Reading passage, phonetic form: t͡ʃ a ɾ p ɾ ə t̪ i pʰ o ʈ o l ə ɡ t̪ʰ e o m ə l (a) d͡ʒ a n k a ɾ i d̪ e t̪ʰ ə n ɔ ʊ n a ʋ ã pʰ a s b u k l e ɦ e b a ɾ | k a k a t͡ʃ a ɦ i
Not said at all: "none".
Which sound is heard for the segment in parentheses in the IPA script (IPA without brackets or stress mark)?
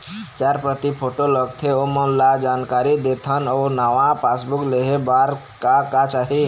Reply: a